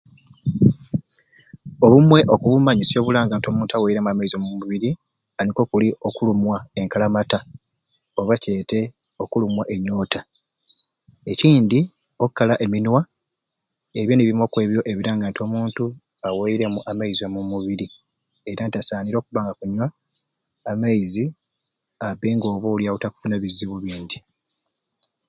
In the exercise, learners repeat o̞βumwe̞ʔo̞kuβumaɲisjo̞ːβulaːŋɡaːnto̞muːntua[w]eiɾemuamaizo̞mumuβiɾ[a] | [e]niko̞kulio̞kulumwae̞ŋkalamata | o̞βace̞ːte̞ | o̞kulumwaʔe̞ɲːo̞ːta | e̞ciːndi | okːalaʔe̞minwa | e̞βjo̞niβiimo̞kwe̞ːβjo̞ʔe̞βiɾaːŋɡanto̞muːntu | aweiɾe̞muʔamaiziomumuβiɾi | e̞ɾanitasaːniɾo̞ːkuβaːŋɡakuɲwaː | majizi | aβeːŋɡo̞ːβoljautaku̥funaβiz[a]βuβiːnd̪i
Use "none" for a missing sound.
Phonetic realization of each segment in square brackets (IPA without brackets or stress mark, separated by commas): w, i, a, i